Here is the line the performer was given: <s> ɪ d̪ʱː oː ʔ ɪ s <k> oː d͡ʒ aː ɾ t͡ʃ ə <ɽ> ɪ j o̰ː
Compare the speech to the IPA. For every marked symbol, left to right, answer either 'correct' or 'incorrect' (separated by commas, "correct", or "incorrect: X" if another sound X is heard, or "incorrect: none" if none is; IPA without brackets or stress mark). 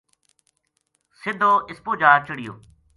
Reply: correct, incorrect: p, correct